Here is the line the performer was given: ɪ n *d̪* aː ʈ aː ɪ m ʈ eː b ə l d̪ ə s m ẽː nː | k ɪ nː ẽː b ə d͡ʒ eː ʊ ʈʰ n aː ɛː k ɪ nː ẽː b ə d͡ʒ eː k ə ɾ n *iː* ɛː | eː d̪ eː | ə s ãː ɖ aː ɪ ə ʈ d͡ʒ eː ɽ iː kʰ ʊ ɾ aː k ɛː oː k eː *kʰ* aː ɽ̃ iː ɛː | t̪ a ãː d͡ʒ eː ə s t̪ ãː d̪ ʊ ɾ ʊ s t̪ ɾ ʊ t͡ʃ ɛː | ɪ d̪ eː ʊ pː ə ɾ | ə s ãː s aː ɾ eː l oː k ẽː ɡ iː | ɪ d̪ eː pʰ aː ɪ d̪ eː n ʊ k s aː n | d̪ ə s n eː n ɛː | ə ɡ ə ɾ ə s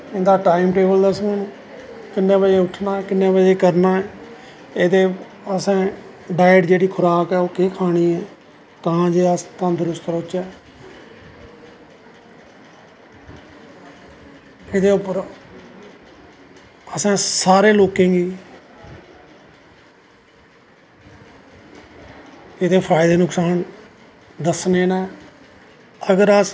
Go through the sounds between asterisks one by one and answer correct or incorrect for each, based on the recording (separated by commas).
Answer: correct, incorrect, correct